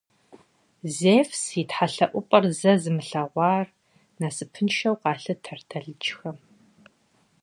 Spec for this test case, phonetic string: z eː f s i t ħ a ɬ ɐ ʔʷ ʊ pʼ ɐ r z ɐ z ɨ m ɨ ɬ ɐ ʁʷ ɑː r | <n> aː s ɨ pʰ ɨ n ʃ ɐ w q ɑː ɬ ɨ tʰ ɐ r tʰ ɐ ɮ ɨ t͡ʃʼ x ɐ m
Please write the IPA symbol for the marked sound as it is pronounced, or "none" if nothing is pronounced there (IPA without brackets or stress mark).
n